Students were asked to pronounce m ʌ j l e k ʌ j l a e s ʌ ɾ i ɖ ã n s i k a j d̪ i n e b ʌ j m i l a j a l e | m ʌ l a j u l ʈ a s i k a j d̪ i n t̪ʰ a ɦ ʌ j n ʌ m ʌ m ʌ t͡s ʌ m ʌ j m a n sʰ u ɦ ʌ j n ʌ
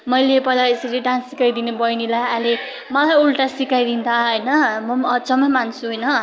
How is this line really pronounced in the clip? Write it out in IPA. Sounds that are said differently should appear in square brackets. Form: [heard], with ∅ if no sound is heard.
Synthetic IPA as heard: m ʌ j l e [p] ʌ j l a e s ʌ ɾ i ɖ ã n s i k a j d̪ i n e b ʌ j [n] i l a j a l e | m ʌ l a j u l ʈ a s i k a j d̪ i n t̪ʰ a ɦ ʌ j n ʌ m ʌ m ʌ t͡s ʌ m ʌ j m a n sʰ u ɦ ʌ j n ʌ